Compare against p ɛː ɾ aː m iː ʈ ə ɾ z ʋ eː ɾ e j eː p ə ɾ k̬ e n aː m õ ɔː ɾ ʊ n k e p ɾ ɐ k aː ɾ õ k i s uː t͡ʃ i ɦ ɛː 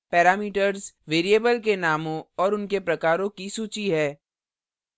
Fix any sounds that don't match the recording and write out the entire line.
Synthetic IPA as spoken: p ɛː ɾ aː m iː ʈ ə ɾ z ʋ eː ɾ i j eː b ə l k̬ e n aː m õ ɔː ɾ ʊ n k e p ɾ ɐ k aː ɾ õ k i s uː t͡ʃ i ɦ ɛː